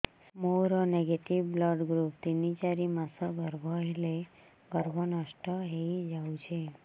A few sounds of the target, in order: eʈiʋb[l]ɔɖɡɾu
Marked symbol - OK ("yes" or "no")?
yes